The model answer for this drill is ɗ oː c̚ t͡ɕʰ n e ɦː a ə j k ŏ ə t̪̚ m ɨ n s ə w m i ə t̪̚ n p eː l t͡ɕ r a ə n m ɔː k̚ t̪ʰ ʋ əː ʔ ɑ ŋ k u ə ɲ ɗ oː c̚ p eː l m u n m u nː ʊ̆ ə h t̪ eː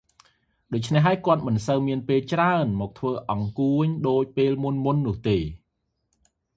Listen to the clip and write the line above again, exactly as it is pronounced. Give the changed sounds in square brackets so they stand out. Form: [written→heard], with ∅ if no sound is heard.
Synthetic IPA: ɗ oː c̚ t͡ɕʰ n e ɦː a ə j k ŏ ə t̪̚ m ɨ n s ə w m i ə [t̪̚→∅] n p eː l t͡ɕ r a ə n m ɔː k̚ t̪ʰ ʋ əː ʔ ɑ ŋ k u ə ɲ ɗ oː c̚ p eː l m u n m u nː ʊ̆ ə h t̪ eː